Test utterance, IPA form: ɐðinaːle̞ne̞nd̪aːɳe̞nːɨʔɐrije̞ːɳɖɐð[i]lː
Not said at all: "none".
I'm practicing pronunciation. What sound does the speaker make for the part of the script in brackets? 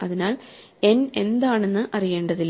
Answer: i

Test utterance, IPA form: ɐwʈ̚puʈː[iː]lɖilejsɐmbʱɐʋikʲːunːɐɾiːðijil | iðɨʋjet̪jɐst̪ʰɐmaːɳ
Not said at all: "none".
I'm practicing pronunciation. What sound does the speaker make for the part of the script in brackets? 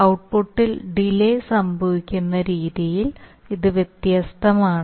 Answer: i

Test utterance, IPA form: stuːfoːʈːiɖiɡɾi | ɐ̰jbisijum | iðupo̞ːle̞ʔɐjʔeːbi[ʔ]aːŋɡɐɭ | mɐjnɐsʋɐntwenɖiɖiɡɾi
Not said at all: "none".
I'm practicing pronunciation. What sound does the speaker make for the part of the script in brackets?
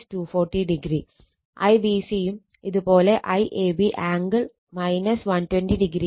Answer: ʔ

